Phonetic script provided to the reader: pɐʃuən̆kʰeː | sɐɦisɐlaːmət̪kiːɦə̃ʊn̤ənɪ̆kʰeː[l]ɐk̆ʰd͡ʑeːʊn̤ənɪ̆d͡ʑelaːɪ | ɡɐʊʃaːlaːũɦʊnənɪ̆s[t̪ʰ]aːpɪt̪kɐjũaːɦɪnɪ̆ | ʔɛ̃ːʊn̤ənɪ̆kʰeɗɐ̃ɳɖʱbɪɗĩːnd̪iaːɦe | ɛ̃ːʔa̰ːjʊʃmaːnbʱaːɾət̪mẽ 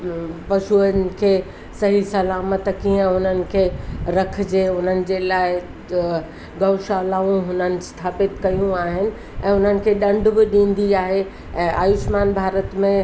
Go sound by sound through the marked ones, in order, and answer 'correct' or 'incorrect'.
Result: incorrect: ɾ, correct

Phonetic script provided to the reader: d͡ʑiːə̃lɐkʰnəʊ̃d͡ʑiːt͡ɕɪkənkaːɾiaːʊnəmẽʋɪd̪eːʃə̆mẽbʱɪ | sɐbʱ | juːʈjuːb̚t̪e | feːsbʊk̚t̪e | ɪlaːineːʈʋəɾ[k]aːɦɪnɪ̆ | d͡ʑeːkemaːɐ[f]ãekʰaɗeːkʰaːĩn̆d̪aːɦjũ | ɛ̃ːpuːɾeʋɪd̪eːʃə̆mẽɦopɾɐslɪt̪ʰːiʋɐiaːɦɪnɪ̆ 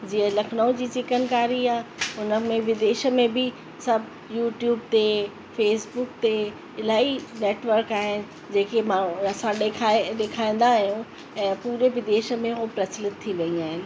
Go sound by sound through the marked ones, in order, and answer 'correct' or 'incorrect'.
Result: correct, incorrect: s

